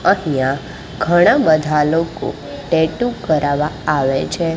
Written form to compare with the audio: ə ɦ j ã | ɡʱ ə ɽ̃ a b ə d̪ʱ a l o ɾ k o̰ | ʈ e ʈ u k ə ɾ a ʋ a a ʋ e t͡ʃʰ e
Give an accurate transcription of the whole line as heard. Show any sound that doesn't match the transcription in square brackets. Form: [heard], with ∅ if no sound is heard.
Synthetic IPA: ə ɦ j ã | ɡʱ ə ɽ̃ a b ə d̪ʱ a l o [∅] k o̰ | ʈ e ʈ u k ə ɾ a ʋ a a ʋ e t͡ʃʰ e